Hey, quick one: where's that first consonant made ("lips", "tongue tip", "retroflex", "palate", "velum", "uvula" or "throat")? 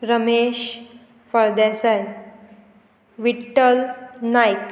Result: tongue tip